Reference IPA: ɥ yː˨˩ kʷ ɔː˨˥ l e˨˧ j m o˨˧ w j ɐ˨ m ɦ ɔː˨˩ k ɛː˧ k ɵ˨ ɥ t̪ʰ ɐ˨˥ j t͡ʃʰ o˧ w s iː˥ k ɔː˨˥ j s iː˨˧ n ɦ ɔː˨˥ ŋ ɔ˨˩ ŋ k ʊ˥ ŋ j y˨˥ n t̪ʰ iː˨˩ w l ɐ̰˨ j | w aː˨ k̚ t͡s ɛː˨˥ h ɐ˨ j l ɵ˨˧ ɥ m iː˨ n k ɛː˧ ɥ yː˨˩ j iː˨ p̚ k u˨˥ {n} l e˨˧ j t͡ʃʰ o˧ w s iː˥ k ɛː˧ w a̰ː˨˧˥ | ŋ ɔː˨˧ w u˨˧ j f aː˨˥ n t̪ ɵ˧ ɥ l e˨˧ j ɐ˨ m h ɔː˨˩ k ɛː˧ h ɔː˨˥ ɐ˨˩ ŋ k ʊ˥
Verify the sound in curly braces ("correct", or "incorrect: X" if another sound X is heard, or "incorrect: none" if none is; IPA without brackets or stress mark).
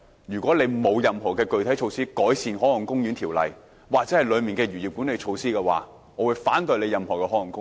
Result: correct